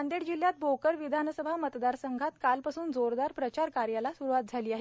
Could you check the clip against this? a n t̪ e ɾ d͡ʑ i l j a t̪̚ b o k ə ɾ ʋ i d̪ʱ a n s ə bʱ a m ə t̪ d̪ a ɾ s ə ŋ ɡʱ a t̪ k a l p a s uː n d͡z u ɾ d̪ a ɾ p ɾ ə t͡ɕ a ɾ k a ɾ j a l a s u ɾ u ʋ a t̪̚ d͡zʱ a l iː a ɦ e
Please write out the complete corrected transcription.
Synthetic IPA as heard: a n d̪ e ɽ d͡ʑ i l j a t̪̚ b o k ə ɾ ʋ i d̪ʱ a n s ə bʱ a m ə t̪ d̪ a ɾ s ə ŋ ɡʱ a t̪ k a l p a s uː n d͡z o ɾ d̪ a ɾ p ɾ ə t͡ɕ a ɾ k a ɾ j a l a s u ɾ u ʋ a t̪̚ d͡zʱ a l iː a ɦ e